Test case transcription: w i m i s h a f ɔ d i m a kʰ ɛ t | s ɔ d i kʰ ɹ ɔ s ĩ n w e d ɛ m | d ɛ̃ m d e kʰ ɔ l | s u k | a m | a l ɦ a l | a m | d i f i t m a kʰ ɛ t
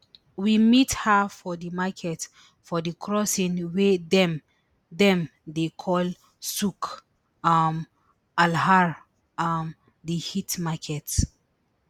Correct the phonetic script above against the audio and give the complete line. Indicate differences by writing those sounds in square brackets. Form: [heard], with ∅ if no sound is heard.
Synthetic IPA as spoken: w i m i [t] h a f ɔ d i m a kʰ ɛ t | [f] ɔ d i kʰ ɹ ɔ s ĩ n w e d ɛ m | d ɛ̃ m d e kʰ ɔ l | s u k | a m | a l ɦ a [ɹ] | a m | d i [h] i t m a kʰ ɛ t